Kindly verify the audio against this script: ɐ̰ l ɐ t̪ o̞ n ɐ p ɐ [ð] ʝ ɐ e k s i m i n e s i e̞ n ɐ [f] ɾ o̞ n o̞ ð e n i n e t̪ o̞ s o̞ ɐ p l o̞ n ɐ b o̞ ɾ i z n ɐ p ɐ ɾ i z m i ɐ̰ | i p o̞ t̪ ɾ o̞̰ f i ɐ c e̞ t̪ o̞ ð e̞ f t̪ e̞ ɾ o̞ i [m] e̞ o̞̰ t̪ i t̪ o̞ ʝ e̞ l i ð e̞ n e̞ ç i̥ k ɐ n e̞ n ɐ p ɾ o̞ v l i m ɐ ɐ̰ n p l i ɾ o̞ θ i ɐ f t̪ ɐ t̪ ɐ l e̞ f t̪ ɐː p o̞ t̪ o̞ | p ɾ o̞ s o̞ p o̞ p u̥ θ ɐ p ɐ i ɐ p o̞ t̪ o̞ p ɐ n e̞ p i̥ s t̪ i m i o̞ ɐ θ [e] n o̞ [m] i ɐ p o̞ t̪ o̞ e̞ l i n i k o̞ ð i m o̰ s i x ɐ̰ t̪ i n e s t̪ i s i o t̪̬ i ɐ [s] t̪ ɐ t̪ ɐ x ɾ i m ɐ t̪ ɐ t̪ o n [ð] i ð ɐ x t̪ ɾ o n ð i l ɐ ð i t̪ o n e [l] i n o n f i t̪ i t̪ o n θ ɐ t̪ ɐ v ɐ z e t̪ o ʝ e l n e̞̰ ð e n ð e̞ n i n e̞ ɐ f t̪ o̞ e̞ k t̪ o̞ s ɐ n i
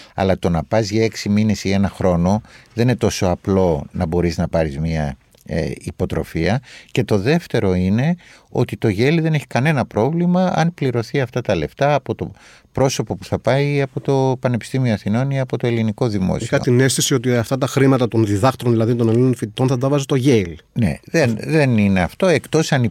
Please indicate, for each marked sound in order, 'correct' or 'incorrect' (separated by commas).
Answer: incorrect, incorrect, incorrect, incorrect, incorrect, incorrect, correct, correct